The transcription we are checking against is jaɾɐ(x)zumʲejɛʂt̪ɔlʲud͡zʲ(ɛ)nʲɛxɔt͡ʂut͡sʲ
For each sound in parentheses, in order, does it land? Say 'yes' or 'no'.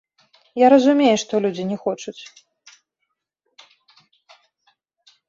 no, no

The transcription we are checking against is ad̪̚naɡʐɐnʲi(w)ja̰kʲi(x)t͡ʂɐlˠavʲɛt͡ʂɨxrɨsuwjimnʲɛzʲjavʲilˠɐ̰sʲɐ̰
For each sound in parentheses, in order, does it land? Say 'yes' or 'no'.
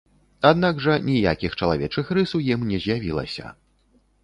no, yes

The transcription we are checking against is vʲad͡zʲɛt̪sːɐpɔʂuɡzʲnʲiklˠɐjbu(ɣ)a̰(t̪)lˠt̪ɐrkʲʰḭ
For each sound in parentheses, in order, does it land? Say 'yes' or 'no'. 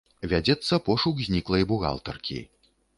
yes, no

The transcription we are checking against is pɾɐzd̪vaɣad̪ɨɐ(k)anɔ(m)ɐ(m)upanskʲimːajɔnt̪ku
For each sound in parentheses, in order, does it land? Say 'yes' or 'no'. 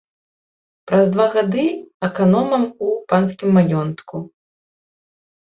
yes, yes, yes

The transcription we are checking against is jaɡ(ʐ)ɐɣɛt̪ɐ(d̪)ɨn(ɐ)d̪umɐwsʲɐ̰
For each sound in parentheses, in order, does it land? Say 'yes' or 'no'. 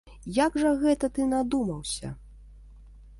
yes, no, no

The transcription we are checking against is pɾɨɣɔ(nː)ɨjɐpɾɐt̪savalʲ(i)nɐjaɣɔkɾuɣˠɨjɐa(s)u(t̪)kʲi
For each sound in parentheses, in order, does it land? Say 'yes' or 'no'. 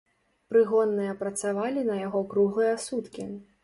yes, yes, yes, yes

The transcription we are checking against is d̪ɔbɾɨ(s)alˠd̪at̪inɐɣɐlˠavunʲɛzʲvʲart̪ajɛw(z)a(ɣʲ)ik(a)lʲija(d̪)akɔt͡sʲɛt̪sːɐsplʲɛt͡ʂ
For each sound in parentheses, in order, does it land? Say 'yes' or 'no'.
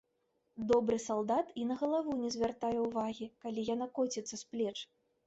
yes, no, yes, yes, no

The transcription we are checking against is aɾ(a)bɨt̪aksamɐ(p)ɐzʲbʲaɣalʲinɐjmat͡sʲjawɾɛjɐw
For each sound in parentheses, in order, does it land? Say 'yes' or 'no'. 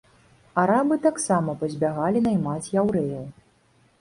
yes, yes

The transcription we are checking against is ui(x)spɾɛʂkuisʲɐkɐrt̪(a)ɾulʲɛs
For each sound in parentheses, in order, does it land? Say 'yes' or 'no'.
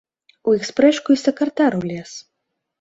yes, yes

